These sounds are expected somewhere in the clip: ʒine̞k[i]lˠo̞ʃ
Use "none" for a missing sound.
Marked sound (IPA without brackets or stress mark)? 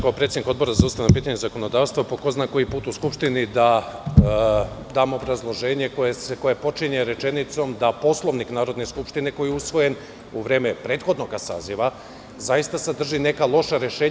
a